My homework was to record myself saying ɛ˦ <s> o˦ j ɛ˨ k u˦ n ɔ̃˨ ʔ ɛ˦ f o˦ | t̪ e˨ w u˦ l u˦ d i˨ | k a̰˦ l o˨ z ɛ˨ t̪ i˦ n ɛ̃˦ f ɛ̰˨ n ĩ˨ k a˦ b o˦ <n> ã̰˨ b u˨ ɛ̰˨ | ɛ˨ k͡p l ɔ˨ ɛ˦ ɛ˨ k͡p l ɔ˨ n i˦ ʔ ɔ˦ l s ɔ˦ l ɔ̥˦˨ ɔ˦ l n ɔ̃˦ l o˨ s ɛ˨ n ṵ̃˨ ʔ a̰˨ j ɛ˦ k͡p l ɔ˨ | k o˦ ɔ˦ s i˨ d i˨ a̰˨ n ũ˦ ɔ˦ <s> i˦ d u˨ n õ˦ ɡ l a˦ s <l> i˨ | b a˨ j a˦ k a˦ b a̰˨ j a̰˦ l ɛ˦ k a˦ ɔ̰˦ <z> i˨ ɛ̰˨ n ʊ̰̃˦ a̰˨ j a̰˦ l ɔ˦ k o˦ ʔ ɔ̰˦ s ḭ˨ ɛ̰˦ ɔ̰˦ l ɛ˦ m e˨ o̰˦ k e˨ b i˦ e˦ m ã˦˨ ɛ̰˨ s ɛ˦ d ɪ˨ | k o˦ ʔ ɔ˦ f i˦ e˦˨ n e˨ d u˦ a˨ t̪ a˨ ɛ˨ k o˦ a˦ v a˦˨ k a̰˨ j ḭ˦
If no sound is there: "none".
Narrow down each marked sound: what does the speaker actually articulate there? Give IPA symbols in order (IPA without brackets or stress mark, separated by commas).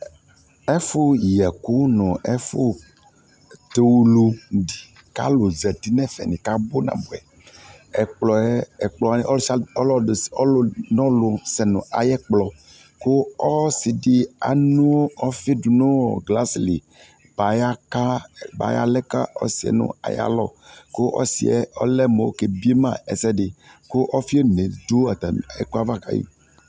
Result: f, n, f, l, s